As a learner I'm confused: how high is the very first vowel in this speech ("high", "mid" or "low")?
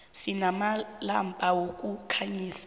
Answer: high